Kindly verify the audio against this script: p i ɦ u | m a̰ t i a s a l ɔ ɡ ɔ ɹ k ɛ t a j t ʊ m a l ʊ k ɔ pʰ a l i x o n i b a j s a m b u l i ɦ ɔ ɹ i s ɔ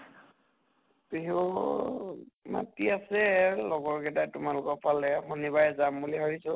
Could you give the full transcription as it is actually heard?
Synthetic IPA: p i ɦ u | m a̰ t i a s ɛ l ɔ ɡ ɔ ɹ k ɛ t a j t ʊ m a l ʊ k ɔ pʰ a l ɛ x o n i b a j z a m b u l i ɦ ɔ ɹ i s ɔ

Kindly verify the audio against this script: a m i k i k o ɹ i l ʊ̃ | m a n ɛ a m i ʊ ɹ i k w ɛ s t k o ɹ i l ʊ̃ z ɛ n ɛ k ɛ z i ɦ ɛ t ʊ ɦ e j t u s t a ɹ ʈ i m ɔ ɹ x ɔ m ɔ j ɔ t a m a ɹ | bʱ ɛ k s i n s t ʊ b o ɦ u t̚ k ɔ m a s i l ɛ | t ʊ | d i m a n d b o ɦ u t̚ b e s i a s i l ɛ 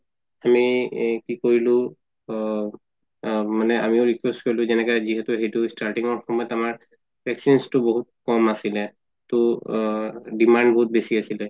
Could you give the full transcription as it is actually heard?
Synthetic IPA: a m i k i k o ɹ i l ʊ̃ | m a n ɛ a m i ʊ ɹ i k w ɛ s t k o ɹ i l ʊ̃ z ɛ n ɛ k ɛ z i ɦ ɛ t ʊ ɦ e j t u s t a ɹ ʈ i ŋ ɔ ɹ x ɔ m ɔ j ɔ t a m a ɹ | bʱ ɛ k s i n s t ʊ b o ɦ u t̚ k ɔ m a s i l ɛ | t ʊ | d i m a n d b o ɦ u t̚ b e s i a s i l ɛ

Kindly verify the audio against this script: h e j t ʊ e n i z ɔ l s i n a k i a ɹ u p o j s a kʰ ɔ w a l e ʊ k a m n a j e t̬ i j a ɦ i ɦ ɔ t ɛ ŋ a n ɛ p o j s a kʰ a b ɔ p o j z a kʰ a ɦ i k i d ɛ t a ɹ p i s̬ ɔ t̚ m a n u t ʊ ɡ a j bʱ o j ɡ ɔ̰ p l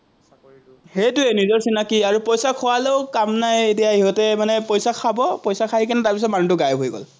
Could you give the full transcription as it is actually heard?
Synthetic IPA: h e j t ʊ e n i z ɔ ɹ s i n a k i a ɹ u p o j s a kʰ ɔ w a l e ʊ k a m n a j e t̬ i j a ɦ i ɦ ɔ t ɛ m a n ɛ p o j s a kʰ a b ɔ p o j s a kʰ a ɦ i k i n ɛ t a ɹ p i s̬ ɔ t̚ m a n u t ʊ ɡ a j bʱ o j ɡ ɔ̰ l

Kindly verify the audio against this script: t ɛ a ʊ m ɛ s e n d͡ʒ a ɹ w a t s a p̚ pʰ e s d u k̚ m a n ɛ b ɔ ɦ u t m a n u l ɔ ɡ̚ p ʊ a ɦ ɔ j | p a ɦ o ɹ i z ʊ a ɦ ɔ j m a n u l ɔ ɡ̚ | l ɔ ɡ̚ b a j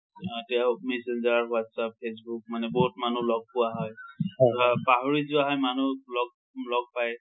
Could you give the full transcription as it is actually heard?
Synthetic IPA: t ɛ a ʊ m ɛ s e n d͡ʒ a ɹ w a t s a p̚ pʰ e s b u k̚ m a n ɛ b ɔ ɦ u t m a n u l ɔ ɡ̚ p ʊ a ɦ ɔ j | p a ɦ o ɹ i z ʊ a ɦ ɔ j m a n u l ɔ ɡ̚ | l ɔ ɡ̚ p a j

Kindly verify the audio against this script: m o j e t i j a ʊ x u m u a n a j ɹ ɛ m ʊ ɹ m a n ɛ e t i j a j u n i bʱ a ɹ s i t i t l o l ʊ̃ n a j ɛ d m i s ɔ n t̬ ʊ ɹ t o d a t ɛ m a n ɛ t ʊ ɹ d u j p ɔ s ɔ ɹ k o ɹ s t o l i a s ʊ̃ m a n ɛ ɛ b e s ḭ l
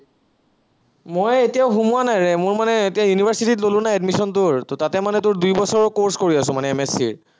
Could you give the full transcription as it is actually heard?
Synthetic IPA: m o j e t i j a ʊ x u m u a n a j ɹ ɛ m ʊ ɹ m a n ɛ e t i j a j u n i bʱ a ɹ s i t i t l o l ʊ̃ n a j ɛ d m i s ɔ n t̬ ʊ ɹ t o t a t ɛ m a n ɛ t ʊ ɹ d u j b ɔ s ɔ ɹ k o ɹ s k o ɹ i a s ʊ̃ m a n ɛ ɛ m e s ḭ ɹ

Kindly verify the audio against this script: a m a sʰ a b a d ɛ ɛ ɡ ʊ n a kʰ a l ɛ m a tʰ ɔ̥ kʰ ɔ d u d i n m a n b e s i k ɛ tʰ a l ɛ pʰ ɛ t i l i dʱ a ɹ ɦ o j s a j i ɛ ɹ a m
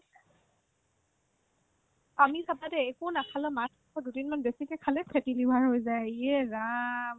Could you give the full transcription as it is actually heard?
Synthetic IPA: a m i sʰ a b a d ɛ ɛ k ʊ n a kʰ a l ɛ m a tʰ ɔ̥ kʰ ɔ d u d i n m a n b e s i k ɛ kʰ a l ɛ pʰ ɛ t i l i bʱ a ɹ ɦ o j z a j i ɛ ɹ a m

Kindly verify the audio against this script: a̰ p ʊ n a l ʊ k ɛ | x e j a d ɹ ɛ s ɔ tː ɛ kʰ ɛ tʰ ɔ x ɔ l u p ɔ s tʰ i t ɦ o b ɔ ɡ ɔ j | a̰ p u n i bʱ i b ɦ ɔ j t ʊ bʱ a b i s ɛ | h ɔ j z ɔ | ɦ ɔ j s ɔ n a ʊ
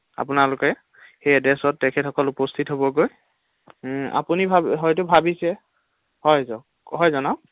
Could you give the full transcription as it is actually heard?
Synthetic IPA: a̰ p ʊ n a l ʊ k ɛ | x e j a d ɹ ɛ s ɔ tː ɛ kʰ ɛ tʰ ɔ k ɔ l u p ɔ s tʰ i t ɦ o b ɔ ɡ o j | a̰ p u n i bʱ a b ɦ ɔ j t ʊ bʱ a b i s ɛ | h ɔ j z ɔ | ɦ ɔ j z ɔ n a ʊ

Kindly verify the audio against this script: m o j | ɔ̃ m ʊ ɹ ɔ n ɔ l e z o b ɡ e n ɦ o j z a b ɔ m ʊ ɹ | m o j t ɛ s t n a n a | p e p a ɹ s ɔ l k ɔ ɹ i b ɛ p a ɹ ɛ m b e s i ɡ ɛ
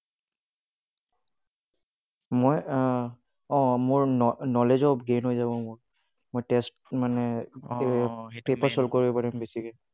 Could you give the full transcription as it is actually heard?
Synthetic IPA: m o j | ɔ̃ m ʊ ɹ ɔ n ɔ l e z ɔ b ɡ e n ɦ o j z a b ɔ m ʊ ɹ | m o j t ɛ s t m a n ɛ | p e p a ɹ s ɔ l k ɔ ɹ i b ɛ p a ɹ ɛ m b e s i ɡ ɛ

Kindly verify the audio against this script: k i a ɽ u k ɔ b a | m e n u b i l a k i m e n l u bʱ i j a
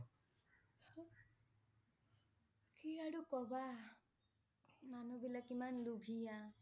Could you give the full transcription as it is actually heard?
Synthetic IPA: k i a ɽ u k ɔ b a | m a n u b i l a k i m a n l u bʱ i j a

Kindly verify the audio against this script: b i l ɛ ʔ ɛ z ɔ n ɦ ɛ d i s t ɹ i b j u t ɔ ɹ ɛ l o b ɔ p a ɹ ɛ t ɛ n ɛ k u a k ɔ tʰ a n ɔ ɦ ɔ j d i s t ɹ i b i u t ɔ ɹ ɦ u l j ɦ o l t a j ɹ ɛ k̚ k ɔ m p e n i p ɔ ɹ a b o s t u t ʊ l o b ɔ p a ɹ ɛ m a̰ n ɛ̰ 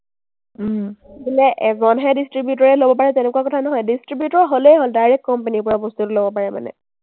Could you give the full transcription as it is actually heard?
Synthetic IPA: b i l ɛ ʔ ɛ z ɔ n ɦ ɛ d i s t ɹ i b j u t ɔ ɹ ɛ l o b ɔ p a ɹ ɛ t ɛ n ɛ k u a k ɔ tʰ a n ɔ ɦ ɔ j d i s t ɹ i b j u t ɔ ɹ ɦ o l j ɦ o l d a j ɹ ɛ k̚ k ɔ m p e n i p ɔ ɹ a b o s t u t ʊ l o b ɔ p a ɹ ɛ m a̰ n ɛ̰

